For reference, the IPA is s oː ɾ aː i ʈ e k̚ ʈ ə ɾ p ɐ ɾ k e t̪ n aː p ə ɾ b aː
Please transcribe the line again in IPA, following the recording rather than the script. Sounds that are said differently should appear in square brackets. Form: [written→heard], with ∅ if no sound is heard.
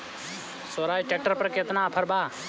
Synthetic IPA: s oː ɾ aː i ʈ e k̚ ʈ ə ɾ p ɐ ɾ k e t̪ n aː [p→pʰ] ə ɾ b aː